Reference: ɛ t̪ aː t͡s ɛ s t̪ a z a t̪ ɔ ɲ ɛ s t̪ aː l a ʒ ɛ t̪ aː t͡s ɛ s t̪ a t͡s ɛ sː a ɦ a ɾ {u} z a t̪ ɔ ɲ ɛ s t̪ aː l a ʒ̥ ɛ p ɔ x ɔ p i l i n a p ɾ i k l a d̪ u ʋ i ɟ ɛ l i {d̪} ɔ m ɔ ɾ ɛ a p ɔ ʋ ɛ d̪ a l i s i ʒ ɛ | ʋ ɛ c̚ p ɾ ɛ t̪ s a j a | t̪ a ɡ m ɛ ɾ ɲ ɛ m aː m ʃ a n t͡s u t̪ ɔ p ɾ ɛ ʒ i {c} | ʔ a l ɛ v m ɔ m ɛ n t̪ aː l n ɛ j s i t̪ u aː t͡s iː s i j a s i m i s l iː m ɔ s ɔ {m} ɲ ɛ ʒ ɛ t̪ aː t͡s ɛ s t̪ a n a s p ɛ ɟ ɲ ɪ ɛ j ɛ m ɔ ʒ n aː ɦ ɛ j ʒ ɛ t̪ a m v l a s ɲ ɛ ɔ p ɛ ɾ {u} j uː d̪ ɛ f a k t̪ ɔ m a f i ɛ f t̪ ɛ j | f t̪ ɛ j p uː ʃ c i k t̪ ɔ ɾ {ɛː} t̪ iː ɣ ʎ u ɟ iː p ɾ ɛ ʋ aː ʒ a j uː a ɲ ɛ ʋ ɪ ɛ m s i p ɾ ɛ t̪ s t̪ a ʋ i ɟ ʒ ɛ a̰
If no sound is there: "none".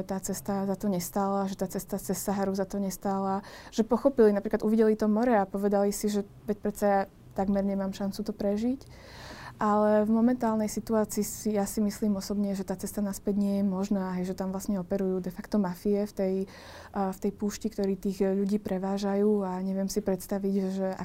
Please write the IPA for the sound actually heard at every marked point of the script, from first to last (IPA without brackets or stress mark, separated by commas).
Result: u, t̪, c, b, u, iː